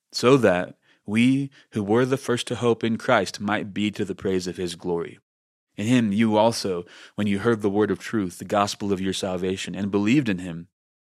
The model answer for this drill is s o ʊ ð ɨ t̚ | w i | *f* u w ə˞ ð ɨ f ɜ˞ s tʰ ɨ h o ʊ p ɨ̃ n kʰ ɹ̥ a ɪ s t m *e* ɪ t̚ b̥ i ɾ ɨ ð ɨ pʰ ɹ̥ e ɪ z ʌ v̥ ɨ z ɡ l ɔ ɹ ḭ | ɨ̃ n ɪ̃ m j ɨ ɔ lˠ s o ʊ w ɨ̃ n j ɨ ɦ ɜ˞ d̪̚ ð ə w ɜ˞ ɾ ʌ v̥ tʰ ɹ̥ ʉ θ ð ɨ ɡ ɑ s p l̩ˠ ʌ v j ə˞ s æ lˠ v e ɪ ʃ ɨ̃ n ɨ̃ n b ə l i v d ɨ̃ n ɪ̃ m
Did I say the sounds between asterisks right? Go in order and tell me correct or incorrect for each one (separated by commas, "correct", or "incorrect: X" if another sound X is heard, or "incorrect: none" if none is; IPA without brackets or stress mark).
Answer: incorrect: h, incorrect: a